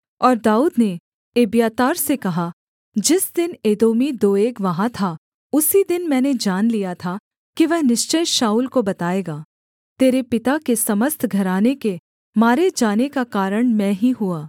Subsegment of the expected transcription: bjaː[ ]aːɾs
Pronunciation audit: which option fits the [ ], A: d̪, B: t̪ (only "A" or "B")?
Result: B